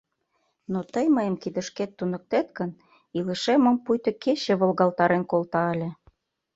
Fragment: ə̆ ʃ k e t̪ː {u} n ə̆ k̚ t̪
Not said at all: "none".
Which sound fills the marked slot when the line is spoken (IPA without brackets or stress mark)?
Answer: u